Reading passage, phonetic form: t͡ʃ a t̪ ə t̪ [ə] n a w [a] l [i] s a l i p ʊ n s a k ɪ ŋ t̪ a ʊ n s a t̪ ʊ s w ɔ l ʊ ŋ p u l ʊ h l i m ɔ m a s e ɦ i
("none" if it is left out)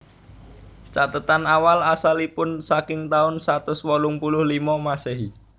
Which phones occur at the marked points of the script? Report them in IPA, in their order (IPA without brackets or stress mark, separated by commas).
a, a, a